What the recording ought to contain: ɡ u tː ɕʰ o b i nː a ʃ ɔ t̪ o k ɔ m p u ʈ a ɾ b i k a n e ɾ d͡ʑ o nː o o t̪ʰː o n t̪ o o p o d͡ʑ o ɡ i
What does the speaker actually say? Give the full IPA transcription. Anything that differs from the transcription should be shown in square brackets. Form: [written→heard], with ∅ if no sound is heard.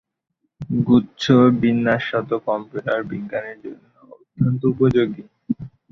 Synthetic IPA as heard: ɡ u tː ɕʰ o b i nː a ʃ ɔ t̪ o k ɔ m p u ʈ a ɾ b i [k→ɡ] a n e ɾ d͡ʑ o nː o o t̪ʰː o n t̪ o [o→u] p o d͡ʑ o ɡ i